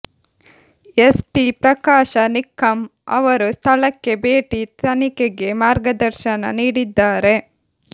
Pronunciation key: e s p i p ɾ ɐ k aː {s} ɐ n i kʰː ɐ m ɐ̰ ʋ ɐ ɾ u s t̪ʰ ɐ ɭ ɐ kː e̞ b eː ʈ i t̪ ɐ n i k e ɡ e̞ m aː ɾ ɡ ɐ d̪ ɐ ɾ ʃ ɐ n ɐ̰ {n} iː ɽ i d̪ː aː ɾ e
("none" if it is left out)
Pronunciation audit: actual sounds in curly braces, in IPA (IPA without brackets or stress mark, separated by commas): ʃ, n